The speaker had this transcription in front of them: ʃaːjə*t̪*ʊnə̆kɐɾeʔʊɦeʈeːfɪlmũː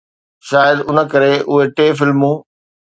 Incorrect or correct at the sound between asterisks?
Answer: incorrect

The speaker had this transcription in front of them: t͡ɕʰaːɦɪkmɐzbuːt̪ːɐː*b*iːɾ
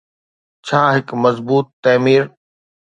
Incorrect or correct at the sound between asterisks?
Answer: incorrect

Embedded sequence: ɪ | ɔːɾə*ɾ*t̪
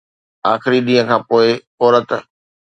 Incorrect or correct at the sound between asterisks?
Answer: incorrect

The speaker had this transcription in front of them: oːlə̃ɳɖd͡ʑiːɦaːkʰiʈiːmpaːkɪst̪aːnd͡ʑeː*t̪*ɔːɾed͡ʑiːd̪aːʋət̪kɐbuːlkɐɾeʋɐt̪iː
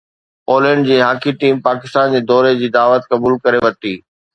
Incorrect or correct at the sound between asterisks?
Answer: incorrect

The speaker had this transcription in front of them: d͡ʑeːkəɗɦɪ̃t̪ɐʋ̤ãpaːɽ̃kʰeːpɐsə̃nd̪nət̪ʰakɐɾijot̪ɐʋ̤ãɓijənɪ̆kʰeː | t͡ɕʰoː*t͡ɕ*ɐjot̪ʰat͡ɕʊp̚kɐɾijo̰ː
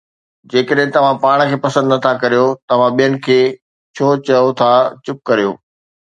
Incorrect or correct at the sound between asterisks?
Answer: correct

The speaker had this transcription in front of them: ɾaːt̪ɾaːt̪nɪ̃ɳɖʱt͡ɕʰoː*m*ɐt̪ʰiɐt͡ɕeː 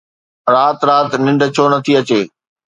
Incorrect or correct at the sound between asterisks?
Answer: incorrect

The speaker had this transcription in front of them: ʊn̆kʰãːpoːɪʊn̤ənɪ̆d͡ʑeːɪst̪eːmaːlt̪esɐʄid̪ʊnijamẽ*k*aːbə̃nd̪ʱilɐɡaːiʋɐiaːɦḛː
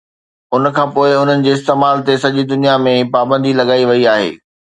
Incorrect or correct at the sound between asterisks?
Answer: incorrect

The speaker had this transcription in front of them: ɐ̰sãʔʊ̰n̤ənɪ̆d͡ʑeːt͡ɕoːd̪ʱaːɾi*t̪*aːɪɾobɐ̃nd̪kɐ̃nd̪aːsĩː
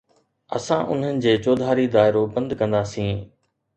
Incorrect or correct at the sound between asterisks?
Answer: incorrect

